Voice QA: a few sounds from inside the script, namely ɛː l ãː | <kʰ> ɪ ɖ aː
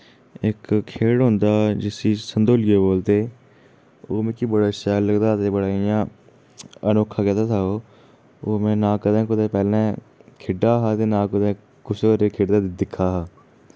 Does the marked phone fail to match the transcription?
no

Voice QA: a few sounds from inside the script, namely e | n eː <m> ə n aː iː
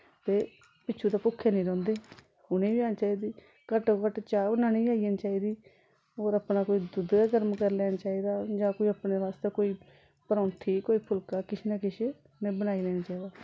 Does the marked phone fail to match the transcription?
yes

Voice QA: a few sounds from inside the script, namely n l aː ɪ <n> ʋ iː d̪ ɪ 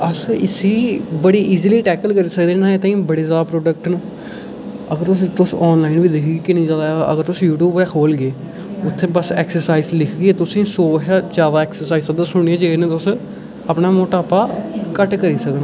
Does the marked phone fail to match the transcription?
no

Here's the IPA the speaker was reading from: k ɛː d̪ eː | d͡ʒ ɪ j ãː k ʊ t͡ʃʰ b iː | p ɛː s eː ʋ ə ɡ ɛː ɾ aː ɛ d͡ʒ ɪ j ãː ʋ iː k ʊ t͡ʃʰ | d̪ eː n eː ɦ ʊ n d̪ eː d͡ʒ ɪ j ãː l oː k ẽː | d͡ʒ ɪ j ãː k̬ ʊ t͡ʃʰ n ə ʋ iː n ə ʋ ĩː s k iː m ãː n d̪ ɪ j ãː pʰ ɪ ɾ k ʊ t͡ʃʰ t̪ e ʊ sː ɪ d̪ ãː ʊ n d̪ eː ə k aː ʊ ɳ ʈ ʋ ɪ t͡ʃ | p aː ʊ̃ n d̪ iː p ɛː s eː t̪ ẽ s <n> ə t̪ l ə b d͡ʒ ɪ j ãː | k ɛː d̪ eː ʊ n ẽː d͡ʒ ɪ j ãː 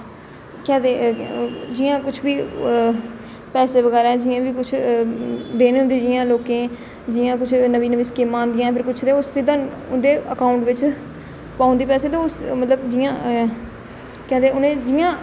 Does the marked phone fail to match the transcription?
yes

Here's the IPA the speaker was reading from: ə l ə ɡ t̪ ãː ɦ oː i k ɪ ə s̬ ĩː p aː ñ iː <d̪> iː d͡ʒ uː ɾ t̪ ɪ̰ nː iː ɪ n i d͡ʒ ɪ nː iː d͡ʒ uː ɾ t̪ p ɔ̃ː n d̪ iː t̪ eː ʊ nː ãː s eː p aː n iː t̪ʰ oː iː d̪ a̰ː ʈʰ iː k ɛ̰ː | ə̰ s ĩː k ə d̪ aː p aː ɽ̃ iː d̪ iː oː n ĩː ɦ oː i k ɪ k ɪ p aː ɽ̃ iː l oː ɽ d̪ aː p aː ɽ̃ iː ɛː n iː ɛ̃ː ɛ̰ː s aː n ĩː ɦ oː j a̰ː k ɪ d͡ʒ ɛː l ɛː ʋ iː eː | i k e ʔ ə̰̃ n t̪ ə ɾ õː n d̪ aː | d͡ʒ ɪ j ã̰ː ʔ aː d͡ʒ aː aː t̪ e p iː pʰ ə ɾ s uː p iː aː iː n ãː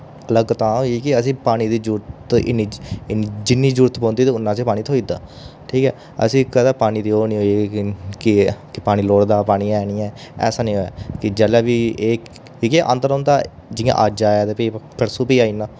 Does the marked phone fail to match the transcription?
no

